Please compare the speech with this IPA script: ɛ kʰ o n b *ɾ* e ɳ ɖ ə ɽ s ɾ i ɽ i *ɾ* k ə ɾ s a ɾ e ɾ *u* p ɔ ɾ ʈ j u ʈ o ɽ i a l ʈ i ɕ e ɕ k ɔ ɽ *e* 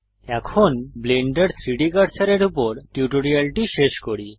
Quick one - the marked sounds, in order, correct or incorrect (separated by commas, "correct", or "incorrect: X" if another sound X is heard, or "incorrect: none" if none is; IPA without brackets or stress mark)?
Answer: incorrect: l, incorrect: none, correct, incorrect: i